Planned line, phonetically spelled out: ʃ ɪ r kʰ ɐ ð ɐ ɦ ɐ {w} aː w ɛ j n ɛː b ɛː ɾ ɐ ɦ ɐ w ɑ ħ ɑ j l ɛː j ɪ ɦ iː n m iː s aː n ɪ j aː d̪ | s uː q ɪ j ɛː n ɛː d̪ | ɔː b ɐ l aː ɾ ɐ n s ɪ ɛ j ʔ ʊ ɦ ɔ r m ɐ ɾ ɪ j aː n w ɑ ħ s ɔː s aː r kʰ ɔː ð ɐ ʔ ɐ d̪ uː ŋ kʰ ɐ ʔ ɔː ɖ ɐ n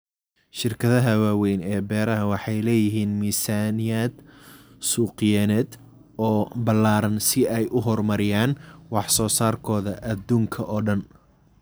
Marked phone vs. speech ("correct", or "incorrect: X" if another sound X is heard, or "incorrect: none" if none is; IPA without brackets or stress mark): correct